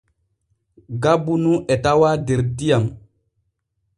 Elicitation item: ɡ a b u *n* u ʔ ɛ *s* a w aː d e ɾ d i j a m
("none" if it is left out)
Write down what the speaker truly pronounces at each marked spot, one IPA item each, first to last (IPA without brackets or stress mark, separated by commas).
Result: n, t